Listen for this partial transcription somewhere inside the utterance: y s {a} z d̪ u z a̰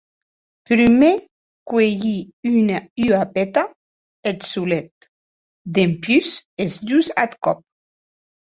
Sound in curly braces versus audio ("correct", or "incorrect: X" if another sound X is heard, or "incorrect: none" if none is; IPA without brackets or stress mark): incorrect: e